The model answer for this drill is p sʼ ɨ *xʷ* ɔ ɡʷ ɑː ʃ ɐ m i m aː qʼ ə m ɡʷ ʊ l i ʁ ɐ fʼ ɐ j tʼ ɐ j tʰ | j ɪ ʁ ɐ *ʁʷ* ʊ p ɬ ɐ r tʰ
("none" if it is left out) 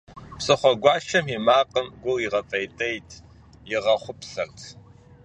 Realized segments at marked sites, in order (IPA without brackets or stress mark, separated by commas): χʷ, χʷ